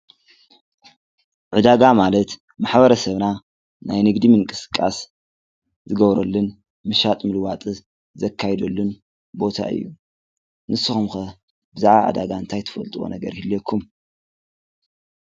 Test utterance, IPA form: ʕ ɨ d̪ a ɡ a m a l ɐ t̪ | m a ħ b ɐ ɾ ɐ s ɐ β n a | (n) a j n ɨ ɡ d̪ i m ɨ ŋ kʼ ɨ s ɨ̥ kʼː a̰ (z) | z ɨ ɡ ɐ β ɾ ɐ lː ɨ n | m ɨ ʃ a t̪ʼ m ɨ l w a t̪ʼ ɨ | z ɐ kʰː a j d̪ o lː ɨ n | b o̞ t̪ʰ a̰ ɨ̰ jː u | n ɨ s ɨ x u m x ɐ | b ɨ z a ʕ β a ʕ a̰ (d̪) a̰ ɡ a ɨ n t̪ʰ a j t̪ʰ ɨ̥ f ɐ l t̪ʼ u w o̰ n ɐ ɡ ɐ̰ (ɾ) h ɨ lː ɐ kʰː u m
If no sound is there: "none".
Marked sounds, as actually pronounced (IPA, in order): n, s, d̪, ɾ

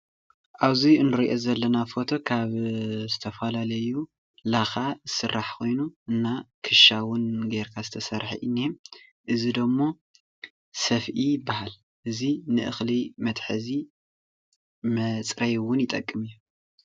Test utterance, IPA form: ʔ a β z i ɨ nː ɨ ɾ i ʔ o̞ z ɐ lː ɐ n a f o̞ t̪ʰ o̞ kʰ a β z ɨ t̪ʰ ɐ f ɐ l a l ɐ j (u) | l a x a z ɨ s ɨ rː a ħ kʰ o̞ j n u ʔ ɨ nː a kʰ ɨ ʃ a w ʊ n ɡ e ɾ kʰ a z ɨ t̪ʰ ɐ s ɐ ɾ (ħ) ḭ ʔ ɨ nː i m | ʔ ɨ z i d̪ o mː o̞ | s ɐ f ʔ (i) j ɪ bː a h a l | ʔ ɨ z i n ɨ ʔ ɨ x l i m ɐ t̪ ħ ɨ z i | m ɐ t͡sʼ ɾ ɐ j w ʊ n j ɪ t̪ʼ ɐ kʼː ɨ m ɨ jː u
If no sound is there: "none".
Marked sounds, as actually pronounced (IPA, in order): u, ħ, i

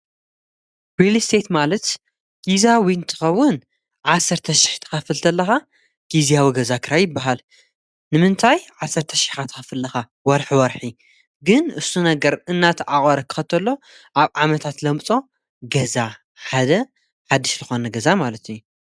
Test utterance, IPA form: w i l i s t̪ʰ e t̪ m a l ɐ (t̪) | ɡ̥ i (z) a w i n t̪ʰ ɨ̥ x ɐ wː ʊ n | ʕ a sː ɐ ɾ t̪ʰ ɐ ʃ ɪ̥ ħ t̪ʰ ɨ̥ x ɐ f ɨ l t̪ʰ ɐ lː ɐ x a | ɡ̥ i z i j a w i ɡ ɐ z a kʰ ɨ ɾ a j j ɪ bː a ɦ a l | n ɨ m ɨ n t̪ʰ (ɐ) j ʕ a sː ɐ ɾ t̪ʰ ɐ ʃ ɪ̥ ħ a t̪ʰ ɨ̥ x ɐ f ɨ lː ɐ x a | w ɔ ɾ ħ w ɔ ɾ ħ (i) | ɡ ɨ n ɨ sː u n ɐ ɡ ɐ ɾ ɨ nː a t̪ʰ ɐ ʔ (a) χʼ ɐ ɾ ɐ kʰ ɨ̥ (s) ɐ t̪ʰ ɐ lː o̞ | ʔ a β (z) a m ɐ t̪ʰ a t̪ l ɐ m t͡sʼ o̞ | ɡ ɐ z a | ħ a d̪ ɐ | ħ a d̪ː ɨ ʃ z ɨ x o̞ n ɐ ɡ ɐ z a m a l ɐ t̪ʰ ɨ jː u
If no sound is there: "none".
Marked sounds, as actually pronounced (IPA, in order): t̪, z, a, i, a, x, ʕ

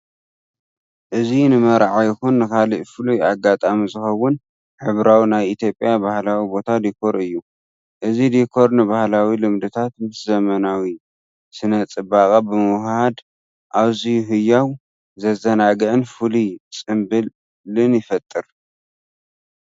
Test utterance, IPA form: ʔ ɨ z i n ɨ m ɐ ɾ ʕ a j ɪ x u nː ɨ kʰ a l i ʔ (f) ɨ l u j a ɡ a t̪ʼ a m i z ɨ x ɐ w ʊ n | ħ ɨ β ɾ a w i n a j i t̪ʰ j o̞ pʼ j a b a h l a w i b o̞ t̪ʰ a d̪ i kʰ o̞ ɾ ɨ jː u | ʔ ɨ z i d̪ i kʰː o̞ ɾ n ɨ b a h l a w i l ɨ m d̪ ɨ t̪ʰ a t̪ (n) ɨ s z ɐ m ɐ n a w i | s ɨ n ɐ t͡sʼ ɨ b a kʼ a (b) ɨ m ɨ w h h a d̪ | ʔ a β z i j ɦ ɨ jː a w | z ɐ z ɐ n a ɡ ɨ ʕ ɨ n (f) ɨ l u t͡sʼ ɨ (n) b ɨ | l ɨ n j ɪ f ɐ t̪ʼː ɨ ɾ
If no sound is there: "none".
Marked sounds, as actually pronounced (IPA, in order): f, m, b, f, m

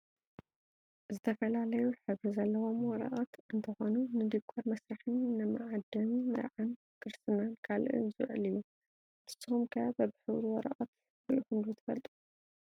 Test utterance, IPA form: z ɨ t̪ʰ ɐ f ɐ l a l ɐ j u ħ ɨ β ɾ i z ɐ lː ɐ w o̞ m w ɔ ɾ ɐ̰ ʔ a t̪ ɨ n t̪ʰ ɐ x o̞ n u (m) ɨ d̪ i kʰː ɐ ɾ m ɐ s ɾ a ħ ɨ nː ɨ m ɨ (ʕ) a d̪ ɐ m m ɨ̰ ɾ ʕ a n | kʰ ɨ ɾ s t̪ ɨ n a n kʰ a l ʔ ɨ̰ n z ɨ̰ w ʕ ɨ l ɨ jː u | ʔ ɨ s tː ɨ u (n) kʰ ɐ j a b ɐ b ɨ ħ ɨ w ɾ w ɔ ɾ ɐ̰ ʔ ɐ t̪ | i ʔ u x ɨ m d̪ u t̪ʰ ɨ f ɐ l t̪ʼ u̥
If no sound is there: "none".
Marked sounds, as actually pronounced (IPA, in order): n, ʕ, m

